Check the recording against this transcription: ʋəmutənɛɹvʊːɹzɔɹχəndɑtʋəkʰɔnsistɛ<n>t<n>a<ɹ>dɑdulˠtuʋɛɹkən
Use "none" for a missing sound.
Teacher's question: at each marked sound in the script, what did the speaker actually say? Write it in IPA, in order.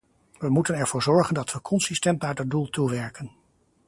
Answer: n, n, ɹ

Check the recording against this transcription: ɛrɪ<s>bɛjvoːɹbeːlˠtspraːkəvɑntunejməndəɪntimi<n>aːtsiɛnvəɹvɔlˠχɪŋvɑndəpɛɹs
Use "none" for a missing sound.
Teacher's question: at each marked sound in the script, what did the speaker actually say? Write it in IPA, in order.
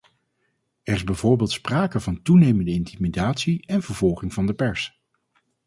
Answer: z, d

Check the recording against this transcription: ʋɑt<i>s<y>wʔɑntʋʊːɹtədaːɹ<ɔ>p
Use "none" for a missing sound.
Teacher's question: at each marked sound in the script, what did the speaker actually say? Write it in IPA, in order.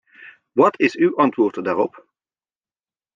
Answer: ɪ, y, ɔ

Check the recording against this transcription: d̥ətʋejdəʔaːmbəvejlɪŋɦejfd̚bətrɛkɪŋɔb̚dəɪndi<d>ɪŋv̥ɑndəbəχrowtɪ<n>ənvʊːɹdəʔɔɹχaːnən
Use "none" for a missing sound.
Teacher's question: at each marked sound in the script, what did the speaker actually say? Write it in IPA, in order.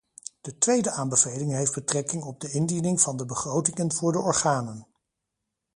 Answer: n, ŋ

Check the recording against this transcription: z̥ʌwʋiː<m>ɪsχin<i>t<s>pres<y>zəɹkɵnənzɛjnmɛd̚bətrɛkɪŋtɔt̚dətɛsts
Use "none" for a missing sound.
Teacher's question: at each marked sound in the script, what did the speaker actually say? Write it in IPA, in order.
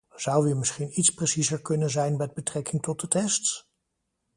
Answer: m, i, s, i

